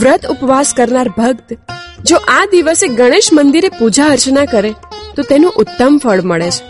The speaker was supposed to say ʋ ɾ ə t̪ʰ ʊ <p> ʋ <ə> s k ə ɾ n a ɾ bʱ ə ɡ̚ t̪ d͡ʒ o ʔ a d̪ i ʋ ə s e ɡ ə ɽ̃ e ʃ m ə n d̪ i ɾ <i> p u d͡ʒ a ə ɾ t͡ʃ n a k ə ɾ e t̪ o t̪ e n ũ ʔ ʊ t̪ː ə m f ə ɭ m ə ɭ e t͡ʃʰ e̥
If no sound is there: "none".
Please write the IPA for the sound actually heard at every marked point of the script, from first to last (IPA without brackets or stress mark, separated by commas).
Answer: p, a, e